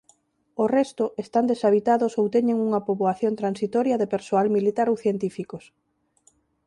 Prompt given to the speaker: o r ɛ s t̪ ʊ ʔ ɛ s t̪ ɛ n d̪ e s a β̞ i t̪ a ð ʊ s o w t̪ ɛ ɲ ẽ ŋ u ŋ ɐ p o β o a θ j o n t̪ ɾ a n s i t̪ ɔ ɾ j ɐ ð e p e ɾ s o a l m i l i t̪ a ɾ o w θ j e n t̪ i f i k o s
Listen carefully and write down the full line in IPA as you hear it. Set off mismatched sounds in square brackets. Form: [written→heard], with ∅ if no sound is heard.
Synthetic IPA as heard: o r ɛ s t̪ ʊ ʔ [ɛ→e] s t̪ [ɛ→a] n d̪ e s a β̞ i t̪ a ð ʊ s o w t̪ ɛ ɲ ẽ ŋ u ŋ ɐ p o β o a θ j o n t̪ ɾ a n s i t̪ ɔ ɾ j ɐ ð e p e ɾ s o a l m i l i t̪ a ɾ o w θ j e n t̪ i f i k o s